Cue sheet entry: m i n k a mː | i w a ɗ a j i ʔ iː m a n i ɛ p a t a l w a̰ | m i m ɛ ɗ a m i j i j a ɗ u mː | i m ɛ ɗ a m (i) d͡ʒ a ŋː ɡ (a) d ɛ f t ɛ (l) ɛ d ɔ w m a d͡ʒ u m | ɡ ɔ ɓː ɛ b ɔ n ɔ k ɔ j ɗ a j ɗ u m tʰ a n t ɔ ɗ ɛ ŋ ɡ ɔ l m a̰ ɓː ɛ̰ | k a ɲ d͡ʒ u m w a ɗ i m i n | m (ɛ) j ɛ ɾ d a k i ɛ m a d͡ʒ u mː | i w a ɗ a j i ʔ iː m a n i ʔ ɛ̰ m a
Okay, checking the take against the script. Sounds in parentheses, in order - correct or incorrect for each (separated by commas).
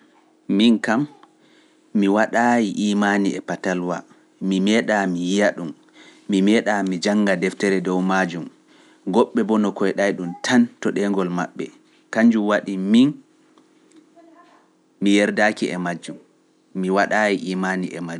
correct, correct, incorrect, incorrect